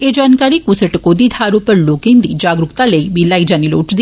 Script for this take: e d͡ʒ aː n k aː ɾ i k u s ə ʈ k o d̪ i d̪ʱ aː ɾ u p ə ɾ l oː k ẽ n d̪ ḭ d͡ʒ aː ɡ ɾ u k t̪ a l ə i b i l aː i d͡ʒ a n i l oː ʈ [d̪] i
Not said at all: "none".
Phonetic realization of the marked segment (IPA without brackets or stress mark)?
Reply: d̪